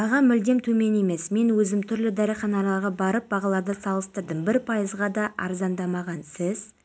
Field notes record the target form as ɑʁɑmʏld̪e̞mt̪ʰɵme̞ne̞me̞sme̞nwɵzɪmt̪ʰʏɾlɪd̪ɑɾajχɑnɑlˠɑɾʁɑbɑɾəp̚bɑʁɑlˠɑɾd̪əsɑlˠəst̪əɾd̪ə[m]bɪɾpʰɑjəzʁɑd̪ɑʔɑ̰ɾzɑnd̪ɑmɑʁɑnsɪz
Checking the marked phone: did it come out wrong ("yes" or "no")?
no